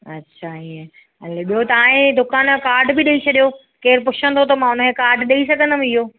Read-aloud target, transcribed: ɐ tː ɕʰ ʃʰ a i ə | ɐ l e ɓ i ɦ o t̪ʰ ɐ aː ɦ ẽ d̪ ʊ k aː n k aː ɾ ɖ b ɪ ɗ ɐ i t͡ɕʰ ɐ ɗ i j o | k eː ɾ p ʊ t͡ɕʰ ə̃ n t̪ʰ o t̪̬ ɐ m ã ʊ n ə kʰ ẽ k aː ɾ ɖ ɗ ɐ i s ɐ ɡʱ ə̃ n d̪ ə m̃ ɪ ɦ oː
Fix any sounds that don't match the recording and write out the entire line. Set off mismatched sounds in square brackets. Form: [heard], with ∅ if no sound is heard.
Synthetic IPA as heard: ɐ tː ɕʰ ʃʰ a i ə | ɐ l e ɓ i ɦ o [t̪] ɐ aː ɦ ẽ d̪ ʊ k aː n k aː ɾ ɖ b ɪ ɗ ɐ i t͡ɕʰ ɐ ɗ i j o | k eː ɾ p ʊ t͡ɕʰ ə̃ n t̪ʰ o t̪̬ ɐ m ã ʊ n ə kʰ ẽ k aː ɾ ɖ ɗ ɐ i s ɐ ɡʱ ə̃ n d̪ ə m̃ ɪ ɦ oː